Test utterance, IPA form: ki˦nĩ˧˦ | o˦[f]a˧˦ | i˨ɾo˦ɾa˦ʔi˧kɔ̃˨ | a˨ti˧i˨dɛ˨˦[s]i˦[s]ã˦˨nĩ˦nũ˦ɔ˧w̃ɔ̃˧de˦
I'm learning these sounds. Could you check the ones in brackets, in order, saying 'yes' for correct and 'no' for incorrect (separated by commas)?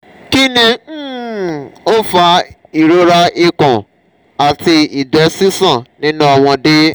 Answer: yes, yes, yes